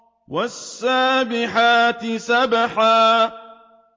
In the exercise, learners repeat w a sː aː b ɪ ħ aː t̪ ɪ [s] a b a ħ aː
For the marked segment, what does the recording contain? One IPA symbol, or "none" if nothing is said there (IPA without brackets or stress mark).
s